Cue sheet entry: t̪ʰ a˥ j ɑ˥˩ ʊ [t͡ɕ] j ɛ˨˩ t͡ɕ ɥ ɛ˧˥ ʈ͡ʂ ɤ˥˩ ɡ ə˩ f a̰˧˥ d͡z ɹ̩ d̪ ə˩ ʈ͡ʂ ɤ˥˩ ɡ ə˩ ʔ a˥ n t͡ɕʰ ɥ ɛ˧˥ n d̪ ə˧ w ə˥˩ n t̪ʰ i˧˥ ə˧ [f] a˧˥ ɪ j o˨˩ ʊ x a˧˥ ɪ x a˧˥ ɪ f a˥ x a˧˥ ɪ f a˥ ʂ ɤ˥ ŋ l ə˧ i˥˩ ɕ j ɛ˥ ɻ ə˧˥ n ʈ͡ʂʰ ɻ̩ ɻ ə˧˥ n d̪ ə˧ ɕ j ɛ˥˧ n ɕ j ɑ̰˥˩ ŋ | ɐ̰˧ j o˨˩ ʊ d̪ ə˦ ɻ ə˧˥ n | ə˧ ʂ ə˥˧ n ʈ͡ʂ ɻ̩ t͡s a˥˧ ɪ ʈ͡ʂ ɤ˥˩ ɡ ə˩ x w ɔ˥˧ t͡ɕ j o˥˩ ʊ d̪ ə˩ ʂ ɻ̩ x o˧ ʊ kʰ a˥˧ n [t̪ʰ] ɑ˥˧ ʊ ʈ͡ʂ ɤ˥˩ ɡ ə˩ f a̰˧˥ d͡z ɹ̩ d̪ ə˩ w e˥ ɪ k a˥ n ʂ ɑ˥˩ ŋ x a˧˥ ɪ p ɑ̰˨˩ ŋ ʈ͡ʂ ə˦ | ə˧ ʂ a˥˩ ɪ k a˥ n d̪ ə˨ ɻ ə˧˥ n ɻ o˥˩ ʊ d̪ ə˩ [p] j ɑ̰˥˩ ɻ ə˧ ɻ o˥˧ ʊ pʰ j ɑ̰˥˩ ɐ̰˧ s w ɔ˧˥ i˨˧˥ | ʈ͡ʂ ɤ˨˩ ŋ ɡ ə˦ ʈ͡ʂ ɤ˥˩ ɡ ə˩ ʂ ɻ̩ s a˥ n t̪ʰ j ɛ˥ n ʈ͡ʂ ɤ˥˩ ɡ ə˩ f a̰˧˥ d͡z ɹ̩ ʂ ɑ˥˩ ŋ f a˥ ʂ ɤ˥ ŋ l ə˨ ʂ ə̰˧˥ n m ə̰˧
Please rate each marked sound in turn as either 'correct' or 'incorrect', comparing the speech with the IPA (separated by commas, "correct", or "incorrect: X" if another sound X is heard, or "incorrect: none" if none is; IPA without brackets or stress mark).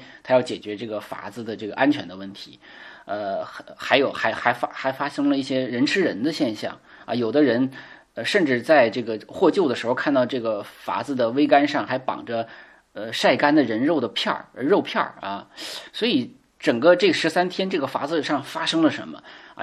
correct, incorrect: x, incorrect: t̪, incorrect: pʰ